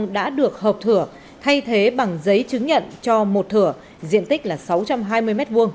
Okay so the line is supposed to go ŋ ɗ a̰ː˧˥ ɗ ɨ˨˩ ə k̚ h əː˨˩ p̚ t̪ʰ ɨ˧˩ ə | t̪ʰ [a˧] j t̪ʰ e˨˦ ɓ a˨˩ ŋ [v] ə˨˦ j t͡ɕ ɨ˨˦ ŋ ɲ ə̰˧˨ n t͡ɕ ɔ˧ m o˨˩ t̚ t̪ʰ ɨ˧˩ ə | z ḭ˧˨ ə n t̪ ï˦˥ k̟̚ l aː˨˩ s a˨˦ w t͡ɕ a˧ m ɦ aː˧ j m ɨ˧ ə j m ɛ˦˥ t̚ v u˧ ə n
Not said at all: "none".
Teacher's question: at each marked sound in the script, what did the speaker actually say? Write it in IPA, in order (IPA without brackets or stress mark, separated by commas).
a˧, z